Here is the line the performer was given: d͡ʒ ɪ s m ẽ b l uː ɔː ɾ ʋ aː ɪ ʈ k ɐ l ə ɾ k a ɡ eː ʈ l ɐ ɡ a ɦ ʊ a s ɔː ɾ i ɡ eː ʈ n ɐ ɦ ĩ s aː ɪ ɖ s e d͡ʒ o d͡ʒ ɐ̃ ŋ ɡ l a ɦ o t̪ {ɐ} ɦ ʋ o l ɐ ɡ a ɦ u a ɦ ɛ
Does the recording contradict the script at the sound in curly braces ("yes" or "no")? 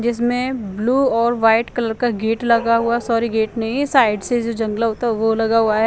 yes